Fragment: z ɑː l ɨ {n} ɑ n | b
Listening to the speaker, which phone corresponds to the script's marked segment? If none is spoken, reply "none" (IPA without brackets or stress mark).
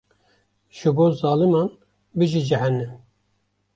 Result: m